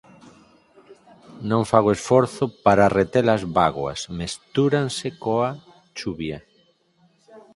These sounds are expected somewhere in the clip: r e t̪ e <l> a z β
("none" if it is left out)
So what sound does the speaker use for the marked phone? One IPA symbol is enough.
l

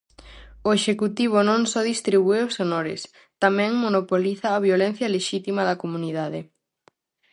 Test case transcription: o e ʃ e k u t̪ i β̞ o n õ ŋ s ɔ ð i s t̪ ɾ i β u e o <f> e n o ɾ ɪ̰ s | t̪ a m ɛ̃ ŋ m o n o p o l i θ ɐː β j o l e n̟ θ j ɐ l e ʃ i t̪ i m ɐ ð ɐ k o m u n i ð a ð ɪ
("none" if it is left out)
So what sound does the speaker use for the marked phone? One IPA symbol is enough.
s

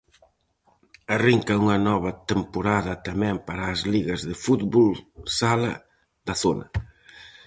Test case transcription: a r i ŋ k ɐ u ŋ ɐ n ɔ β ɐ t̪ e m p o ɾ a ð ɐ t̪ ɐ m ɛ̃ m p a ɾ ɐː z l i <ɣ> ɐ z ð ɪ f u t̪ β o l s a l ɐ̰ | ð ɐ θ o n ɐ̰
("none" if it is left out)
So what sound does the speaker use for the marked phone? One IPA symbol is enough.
ɣ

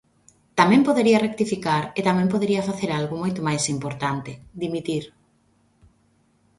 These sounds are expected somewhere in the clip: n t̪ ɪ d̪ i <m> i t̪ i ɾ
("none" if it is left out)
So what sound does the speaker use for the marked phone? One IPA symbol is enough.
m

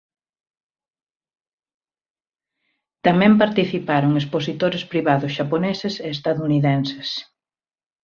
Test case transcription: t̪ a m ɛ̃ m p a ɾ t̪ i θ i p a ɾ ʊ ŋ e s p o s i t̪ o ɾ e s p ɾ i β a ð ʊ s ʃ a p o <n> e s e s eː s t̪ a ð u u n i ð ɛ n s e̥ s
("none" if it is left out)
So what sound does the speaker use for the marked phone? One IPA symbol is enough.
n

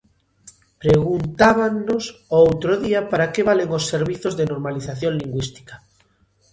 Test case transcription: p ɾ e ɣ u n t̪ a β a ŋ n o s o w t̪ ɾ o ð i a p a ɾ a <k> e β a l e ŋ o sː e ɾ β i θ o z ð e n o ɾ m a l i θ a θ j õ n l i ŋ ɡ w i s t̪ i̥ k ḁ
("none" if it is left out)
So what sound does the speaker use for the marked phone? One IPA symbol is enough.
k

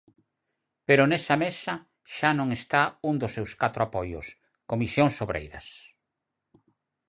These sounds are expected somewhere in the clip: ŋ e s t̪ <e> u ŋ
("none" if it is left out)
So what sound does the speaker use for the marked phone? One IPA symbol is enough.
a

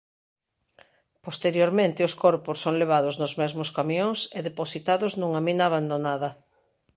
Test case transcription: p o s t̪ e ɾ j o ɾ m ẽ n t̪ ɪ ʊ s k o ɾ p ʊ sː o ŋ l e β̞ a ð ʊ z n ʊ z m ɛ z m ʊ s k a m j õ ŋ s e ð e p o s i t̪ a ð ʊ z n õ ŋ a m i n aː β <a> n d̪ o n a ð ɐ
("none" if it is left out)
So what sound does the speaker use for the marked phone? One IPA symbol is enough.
a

